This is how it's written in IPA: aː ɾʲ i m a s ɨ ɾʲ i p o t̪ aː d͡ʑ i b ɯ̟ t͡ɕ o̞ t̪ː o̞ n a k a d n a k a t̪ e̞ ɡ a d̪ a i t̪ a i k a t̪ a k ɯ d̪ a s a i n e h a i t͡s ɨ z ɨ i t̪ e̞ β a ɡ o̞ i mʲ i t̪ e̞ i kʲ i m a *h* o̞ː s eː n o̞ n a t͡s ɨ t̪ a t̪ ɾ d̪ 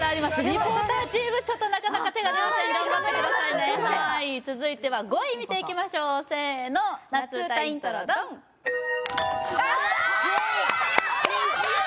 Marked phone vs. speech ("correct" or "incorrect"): incorrect